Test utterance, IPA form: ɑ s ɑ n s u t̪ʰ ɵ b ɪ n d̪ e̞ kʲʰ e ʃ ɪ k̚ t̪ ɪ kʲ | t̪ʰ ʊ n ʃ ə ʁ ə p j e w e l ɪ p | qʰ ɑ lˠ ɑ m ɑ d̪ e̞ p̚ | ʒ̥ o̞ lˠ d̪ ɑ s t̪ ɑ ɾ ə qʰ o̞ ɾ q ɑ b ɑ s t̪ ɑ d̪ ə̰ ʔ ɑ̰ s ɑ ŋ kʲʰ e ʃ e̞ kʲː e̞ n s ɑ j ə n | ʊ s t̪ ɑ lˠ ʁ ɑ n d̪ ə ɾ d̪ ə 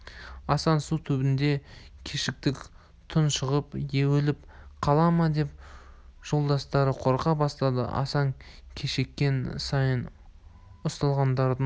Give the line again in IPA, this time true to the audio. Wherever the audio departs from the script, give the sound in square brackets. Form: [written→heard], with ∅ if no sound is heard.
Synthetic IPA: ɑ s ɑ n s u t̪ʰ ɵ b ɪ n d̪ e̞ kʲʰ e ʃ ɪ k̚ t̪ ɪ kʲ | t̪ʰ ʊ n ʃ ə ʁ ə p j e w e l ɪ p | qʰ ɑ lˠ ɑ m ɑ d̪ e̞ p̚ | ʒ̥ o̞ lˠ d̪ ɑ s t̪ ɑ ɾ ə qʰ o̞ ɾ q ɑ b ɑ s t̪ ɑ d̪ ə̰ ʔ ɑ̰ s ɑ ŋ kʲʰ e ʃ e̞ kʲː e̞ n s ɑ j ə n | ʊ s t̪ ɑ lˠ ʁ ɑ n d̪ [ə→ɑ] ɾ d̪ ə